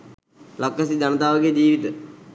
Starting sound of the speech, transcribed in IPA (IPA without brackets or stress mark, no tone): l